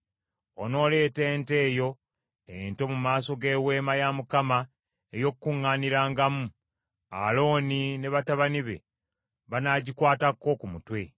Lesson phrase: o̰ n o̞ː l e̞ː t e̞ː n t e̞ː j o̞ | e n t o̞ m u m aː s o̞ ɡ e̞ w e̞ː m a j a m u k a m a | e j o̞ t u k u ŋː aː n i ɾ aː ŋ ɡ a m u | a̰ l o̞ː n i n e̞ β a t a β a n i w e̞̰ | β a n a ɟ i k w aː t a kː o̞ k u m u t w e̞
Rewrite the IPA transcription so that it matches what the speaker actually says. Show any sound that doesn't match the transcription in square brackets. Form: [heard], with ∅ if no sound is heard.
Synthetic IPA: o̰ n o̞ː l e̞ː t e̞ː n t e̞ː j o̞ | e n t o̞ m u m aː s o̞ ɡ e̞ w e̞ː m a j a m u k a m a | e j o̞ [k] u k u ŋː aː n i ɾ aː ŋ ɡ a m u | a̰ l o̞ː n i n e̞ β a t a β a n i [β] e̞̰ | β a n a ɟ i k w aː t a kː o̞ k u m u t w e̞